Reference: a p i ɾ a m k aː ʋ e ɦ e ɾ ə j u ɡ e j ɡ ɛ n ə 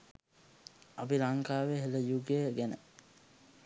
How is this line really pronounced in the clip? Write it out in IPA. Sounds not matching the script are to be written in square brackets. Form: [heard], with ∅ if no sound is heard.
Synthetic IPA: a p i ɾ a [ŋ] k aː ʋ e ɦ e [l] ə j u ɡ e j ɡ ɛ n ə